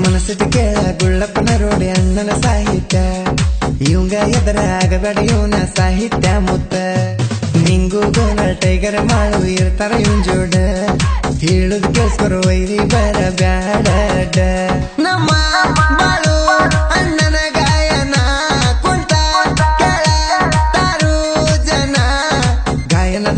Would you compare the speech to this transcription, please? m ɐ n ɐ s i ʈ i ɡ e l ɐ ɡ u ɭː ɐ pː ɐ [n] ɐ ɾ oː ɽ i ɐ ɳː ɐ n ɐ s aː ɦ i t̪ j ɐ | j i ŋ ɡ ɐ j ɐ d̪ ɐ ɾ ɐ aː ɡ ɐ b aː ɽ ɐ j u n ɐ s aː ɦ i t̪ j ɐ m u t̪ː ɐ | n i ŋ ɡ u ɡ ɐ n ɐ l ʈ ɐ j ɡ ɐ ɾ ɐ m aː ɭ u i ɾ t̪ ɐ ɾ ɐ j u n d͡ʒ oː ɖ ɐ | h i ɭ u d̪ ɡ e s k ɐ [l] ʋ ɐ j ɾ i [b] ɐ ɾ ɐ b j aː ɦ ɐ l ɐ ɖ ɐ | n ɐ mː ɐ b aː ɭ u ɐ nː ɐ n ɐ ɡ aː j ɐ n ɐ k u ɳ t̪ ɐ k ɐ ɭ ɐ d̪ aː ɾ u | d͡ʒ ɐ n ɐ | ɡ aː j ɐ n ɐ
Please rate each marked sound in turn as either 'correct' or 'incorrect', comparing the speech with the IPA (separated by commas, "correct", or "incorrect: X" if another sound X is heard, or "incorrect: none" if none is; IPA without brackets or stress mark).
correct, incorrect: ɾ, correct